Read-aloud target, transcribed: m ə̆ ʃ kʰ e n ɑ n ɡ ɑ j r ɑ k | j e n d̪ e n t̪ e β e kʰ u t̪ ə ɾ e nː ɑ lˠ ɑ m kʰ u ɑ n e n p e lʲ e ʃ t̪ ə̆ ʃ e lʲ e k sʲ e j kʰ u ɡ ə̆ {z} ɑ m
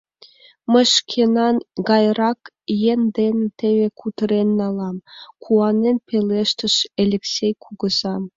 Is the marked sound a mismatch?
no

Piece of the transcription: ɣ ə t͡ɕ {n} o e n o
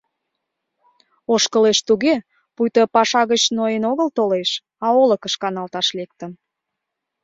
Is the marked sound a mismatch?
no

